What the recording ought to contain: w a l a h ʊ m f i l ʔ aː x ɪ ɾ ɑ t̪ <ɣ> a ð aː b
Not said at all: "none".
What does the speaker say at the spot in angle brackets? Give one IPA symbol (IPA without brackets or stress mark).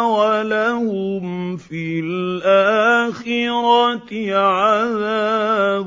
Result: ʕ